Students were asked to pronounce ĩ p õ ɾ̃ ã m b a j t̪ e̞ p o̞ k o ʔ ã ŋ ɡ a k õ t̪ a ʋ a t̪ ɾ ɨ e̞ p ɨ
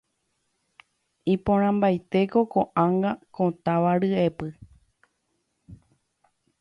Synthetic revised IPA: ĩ p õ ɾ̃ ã m b a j t̪ e̞ k o̞ k o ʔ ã ŋ ɡ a k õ t̪ a ʋ a ɾ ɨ e̞ p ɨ